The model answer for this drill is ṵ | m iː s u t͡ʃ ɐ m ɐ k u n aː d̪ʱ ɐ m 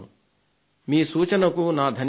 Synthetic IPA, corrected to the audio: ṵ | m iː s uː t͡ʃ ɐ n ɐ k u n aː d̪ʱ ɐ n

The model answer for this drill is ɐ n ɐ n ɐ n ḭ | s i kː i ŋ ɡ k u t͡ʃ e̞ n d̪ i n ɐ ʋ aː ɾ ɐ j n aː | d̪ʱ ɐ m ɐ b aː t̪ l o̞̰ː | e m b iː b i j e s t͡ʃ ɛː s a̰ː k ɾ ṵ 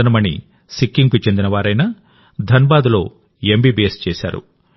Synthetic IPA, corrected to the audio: ɐ n ɐ m ɐ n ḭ | s i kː i ŋ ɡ k u t͡ʃ e̞ n d̪ i n ɐ ʋ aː ɾ ɐ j n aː | d̪ʱ ɐ n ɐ b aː d̪ l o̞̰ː | e m b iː b i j e s t͡ʃ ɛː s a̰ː ɾ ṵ

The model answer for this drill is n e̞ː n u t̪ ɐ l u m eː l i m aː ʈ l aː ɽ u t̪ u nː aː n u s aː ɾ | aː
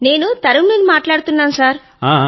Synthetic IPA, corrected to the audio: n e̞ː n u t̪ ɐ ɾ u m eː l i m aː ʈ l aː ɽ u t̪ u nː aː n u s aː ɾ | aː

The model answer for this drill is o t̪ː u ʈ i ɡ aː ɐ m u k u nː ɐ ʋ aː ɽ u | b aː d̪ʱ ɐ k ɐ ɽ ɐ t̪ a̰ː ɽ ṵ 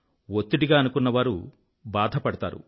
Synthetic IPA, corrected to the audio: o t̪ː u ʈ i ɡ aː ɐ n u k u nː ɐ ʋ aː ɾ u | b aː d̪ʱ ɐ p ɐ ɽ ɐ t̪ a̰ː ɾ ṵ

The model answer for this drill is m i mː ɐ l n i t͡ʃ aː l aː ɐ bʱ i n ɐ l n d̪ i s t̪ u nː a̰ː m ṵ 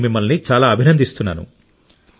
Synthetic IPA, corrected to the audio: m i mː ɐ l n i t͡ʃ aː l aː ɐ bʱ i n ɐ n d̪ i s t̪ u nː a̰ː n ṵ

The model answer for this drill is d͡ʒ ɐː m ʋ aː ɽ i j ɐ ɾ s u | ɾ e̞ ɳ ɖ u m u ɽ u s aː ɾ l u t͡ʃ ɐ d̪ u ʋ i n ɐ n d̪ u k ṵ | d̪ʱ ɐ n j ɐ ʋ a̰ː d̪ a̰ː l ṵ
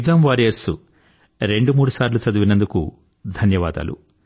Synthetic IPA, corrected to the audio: d͡ʒ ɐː m ʋ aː ɾ i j ɐ ɾ s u | ɾ e̞ ɳ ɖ u m uː ɽ u s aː ɾ l u t͡ʃ ɐ d̪ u ʋ i n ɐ n d̪ u k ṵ | d̪ʱ ɐ n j ɐ ʋ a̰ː d̪ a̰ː l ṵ

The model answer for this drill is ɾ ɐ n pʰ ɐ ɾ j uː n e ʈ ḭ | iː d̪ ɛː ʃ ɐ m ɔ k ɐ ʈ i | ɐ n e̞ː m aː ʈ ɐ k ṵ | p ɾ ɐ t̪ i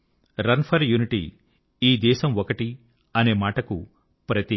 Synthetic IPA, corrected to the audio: ɾ ɐ n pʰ ɐ ɾ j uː n i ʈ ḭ | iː d̪ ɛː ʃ ɐ m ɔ k ɐ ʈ i | ɐ n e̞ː m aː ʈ ɐ k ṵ | p ɾ ɐ t̪ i

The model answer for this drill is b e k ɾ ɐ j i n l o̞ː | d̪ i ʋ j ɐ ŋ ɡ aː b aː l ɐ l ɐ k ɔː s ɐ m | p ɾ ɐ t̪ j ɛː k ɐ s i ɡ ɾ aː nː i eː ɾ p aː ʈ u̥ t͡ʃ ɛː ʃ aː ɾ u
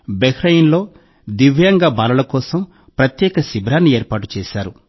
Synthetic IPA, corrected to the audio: b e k ɾ ɐ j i n l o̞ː | d̪ i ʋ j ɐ ŋ ɡ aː b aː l ɐ l ɐ k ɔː s ɐ m | p ɾ ɐ t̪ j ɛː k ɐ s i b ɾ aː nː i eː ɾ p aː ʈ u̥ t͡ʃ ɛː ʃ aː ɾ u

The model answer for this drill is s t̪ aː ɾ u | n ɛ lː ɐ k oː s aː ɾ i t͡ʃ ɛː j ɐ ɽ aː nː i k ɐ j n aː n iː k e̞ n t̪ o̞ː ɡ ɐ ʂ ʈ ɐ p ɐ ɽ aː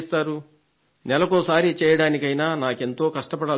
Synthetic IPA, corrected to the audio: s t̪ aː ɾ u | n ɛ l ɐ k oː s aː ɾ i t͡ʃ ɛː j ɐ ɽ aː n i k ɐ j n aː n aː k e̞ n t̪ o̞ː k ɐ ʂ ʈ ɐ p ɐ ɽ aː

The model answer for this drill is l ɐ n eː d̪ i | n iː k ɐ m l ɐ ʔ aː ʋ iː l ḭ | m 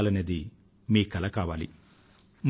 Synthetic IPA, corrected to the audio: l ɐ n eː d̪ i | m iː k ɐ l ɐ k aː ʋ aː l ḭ | m

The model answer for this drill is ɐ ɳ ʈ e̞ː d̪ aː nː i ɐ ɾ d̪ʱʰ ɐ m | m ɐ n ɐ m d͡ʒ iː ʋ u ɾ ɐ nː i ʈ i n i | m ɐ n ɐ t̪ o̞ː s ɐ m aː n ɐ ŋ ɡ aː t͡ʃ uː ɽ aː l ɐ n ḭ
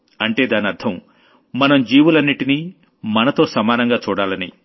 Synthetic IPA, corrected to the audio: ɐ ɳ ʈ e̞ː d̪ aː n i ɐ ɾ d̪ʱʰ ɐ m | m ɐ n ɐ m d͡ʒ iː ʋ u l ɐ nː i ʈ i n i | m ɐ n ɐ t̪ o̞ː s ɐ m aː n ɐ ŋ ɡ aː t͡ʃ uː ɽ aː l ɐ n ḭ

